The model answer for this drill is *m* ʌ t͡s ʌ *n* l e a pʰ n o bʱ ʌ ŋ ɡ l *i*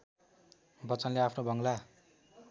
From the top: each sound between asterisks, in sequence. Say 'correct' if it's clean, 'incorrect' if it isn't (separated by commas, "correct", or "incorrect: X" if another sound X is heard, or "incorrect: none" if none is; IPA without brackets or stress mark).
incorrect: b, correct, incorrect: a